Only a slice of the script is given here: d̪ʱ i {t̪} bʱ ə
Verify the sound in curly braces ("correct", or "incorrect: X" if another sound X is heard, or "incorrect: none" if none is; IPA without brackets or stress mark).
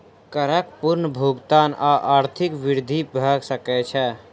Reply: incorrect: none